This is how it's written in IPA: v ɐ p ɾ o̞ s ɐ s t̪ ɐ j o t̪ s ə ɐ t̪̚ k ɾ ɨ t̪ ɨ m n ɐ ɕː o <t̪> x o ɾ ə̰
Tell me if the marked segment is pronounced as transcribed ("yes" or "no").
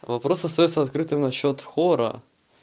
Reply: yes